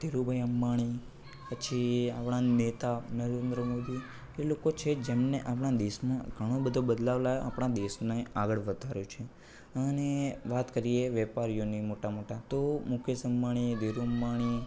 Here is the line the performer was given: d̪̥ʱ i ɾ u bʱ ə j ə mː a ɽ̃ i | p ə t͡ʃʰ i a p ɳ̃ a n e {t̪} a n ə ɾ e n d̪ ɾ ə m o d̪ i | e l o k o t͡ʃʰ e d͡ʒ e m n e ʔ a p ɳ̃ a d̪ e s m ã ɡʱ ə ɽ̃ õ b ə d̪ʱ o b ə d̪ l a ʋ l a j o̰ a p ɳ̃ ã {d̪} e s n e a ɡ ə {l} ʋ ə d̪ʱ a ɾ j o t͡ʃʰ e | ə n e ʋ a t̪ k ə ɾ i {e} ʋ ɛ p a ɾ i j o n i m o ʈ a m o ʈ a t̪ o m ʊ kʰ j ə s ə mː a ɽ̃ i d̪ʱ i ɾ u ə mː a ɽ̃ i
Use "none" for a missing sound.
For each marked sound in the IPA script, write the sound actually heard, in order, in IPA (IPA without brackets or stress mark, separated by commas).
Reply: t̪, d̪, ɭ, e